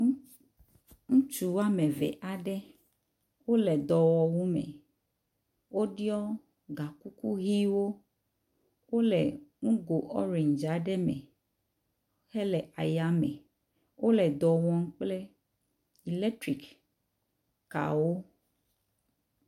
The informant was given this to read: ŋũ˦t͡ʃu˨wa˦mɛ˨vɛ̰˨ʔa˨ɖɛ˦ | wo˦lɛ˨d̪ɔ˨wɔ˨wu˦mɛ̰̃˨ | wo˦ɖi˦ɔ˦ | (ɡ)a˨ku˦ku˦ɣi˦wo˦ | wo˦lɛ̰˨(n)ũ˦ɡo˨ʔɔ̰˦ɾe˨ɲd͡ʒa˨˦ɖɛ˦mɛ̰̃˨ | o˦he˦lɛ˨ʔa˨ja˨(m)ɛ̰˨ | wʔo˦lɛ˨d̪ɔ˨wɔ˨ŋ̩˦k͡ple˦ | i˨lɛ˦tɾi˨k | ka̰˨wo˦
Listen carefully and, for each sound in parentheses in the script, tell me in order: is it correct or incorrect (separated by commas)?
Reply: correct, incorrect, correct